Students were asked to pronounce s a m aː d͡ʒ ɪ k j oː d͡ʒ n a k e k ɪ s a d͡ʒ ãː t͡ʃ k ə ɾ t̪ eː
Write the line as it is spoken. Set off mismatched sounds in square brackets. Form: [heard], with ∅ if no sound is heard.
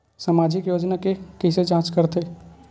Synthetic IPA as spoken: s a m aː d͡ʒ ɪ k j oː d͡ʒ n a k e k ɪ s [e] d͡ʒ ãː t͡ʃ k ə ɾ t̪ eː

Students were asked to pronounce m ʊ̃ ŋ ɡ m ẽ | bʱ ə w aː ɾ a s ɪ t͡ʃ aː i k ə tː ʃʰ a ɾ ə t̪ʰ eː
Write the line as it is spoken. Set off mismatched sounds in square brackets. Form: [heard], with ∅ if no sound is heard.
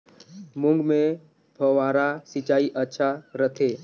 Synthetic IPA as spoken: m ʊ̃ ŋ ɡ m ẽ | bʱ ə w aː ɾ a s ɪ t͡ʃ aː i [ʔ] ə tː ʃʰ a ɾ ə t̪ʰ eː

